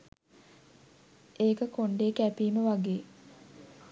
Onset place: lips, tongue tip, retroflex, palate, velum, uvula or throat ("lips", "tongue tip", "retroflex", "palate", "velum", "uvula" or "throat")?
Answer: velum